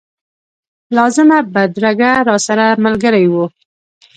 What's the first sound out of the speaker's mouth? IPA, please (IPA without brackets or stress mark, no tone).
l